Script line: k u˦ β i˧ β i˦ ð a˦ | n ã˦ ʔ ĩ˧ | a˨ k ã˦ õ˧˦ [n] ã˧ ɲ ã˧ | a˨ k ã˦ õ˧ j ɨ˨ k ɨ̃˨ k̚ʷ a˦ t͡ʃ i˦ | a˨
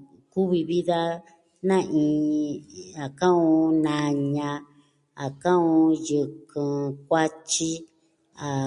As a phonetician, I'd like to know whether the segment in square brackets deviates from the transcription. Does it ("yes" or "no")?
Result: no